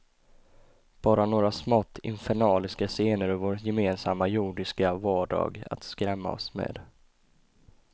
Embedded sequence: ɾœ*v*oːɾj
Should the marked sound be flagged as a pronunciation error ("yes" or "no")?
no